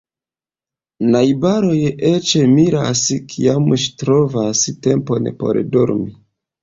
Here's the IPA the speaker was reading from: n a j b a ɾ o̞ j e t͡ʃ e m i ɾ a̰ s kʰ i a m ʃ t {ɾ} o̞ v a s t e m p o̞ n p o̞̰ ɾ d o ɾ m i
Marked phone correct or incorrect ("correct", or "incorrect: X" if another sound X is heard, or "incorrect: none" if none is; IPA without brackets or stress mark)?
correct